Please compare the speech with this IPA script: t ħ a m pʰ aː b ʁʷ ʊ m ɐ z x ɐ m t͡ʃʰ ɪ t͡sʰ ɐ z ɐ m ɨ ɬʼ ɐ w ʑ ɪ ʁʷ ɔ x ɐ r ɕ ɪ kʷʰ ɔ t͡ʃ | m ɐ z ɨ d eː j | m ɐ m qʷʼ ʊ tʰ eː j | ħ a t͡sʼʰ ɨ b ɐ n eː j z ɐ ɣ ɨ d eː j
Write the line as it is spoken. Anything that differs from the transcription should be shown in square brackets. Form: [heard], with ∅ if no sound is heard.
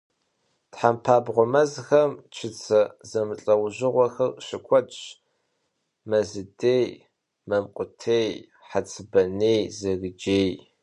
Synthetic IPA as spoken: t ħ a m pʰ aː b ʁʷ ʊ m ɐ z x ɐ m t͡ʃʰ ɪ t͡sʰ ɐ z ɐ m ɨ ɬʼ ɐ w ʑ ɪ ʁʷ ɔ x ɐ r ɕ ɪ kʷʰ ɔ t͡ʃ | m ɐ z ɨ d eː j | m ɐ m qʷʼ ʊ tʰ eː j | ħ a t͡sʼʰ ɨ b ɐ n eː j z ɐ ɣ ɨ [d͡ʒ] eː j